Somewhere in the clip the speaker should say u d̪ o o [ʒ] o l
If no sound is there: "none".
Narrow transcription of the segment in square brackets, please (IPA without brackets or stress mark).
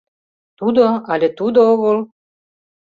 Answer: ɣ